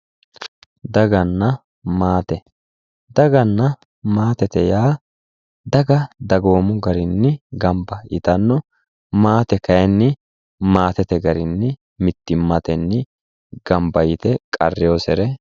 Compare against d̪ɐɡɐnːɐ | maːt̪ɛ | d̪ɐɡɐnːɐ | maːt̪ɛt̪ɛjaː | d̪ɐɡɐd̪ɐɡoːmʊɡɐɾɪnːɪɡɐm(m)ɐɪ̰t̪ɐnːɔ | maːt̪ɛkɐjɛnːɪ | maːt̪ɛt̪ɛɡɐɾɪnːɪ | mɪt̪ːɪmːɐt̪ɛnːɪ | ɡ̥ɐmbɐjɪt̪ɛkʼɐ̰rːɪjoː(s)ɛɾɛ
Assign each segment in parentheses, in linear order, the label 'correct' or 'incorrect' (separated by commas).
incorrect, correct